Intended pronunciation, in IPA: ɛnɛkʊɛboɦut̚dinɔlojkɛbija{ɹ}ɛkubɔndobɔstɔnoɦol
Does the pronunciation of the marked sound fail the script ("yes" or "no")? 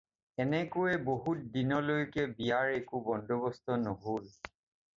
no